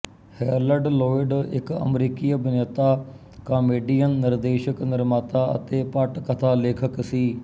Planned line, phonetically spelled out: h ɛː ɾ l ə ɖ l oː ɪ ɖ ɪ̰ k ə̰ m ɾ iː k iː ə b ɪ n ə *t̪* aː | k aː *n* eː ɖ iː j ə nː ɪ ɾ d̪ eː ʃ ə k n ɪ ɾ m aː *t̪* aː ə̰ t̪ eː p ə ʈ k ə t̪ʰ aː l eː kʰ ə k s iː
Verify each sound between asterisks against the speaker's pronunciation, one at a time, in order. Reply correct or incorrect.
correct, incorrect: m, correct

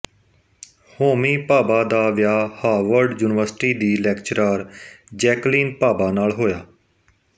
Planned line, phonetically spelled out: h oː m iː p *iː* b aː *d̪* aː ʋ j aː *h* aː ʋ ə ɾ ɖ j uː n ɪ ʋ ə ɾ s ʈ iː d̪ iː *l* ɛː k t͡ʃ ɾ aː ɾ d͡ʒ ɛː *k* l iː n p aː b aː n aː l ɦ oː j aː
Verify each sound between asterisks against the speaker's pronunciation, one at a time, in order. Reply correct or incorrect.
incorrect: aː, correct, correct, correct, correct

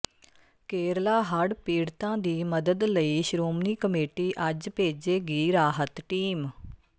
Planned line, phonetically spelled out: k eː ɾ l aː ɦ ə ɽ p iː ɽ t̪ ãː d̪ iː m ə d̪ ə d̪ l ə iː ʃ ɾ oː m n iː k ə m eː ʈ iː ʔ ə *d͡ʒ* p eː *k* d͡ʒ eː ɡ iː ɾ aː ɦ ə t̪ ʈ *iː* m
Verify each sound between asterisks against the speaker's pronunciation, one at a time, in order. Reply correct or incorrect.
correct, incorrect: none, correct

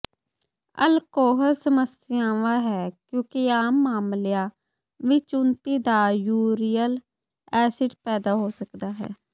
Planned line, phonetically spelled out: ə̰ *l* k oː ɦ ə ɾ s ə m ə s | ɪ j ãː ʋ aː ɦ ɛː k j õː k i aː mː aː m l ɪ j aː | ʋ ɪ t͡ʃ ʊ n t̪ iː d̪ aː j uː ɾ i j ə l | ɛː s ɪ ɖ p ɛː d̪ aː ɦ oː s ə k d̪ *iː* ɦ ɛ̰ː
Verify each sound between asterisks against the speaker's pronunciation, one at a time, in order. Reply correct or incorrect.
correct, incorrect: aː

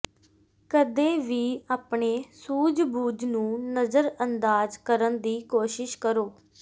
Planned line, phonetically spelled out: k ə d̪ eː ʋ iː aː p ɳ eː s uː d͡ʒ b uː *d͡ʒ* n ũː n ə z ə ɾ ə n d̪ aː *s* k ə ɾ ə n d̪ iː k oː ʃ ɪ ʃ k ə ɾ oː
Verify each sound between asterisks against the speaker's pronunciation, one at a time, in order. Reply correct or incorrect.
correct, incorrect: z

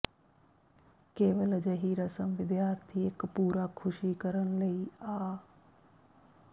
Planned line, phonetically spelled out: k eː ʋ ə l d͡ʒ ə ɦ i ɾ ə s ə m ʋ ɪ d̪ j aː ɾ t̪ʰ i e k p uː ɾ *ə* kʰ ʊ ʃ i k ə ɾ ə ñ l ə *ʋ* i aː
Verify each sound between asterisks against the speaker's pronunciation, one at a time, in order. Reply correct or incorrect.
incorrect: a, incorrect: none

